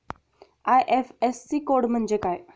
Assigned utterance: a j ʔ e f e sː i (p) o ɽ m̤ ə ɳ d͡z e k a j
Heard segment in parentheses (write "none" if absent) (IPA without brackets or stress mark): k